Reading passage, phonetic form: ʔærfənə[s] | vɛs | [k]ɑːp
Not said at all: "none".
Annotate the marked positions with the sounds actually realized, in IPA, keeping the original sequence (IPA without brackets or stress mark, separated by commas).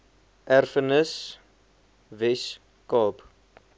s, k